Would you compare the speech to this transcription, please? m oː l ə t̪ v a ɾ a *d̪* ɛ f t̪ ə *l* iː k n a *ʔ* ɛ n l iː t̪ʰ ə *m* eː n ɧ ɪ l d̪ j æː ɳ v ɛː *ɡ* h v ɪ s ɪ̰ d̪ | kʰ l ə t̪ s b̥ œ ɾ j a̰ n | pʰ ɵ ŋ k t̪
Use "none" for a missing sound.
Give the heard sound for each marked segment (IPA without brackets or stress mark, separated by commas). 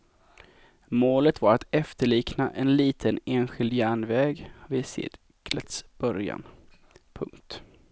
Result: t̪, ɭ, ʔ, n, ɡ